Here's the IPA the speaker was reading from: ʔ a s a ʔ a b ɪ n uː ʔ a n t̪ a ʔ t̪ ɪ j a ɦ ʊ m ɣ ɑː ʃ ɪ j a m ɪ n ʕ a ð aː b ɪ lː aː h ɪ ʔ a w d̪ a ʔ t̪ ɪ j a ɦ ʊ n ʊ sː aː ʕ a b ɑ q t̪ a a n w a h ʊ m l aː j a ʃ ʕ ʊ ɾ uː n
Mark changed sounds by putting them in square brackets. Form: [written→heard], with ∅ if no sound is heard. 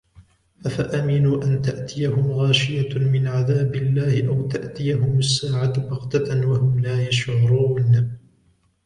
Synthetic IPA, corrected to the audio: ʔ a [s→f] a ʔ a [b→m] ɪ n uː ʔ a n t̪ a ʔ t̪ ɪ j a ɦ ʊ m ɣ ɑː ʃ ɪ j a m ɪ n ʕ a ð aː b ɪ lː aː h ɪ ʔ a w [d̪→t̪] a ʔ t̪ ɪ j a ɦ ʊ [n→m] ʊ sː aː ʕ a b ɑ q t̪ a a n w a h ʊ m l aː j a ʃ ʕ ʊ ɾ uː n

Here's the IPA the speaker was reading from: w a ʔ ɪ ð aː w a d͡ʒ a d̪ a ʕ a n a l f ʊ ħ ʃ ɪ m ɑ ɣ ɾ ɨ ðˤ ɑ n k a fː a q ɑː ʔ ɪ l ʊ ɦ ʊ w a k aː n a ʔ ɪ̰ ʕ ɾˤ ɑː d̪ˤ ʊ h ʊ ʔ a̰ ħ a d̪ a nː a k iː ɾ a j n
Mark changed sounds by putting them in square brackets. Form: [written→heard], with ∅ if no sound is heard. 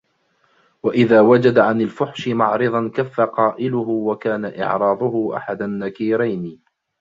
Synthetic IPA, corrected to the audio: w a ʔ ɪ ð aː w a d͡ʒ a d̪ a ʕ a n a l f ʊ ħ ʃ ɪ m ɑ [ɣ→ʕ] ɾ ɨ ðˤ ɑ n k a fː a q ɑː ʔ ɪ l ʊ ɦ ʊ w a k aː n a ʔ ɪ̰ ʕ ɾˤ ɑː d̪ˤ ʊ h ʊ ʔ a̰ ħ a d̪ a nː a k iː ɾ a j n

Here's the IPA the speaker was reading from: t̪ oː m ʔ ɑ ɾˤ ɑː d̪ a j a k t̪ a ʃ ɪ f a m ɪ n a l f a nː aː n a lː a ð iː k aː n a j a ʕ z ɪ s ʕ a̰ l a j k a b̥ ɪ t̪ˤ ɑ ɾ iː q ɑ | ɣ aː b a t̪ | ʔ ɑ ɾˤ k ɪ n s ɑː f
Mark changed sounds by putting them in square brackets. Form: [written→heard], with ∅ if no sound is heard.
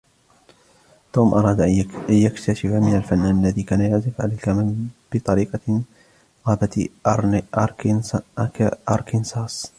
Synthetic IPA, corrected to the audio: t̪ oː m ʔ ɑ ɾˤ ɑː d̪ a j a k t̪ a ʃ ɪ f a m ɪ n a l f a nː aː n a lː a ð iː k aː n a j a ʕ z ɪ [s→f] ʕ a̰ l a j k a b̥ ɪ t̪ˤ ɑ ɾ iː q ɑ | ɣ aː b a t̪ | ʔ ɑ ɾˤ k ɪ n s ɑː [f→s]

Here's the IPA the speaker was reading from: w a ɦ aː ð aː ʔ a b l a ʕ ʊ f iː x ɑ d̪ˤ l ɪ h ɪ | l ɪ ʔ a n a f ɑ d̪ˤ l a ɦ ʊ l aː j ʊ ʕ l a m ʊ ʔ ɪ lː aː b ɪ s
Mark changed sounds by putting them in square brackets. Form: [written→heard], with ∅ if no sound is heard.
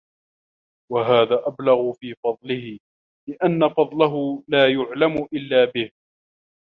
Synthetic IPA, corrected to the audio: w a ɦ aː ð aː ʔ a b l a [ʕ→ɣ] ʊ f iː [x→f] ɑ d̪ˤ l ɪ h ɪ | l ɪ ʔ a [n→nː] a f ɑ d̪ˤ l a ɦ ʊ l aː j ʊ ʕ l a m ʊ ʔ ɪ lː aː b ɪ [s→h]

